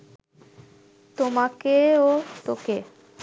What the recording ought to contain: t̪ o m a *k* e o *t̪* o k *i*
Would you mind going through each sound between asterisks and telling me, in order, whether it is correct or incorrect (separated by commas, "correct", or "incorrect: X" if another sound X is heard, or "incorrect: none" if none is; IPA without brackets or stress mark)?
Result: correct, correct, incorrect: e